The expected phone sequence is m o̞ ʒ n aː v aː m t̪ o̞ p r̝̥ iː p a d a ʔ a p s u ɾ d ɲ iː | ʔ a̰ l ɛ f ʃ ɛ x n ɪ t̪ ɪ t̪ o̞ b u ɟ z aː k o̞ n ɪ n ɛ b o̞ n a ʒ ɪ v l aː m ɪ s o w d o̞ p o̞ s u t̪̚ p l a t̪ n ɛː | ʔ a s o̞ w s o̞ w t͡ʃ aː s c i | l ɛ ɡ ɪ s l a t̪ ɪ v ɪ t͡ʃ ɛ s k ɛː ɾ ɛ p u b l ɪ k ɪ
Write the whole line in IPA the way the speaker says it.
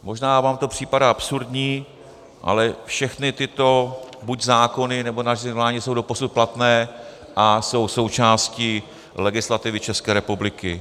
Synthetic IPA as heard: m o̞ ʒ n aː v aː m t̪ o̞ p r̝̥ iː p a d a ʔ a p s u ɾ d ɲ iː | ʔ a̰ l ɛ f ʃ ɛ x n ɪ t̪ ɪ t̪ o̞ b u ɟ z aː k o̞ n ɪ n ɛ b o̞ n a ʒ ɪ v l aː ɲ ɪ s o w d o̞ p o̞ s u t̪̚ p l a t̪ n ɛː | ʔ a s o̞ w s o̞ w t͡ʃ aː s c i | l ɛ ɡ ɪ s l a t̪ ɪ v ɪ t͡ʃ ɛ s k ɛː ɾ ɛ p u b l ɪ k ɪ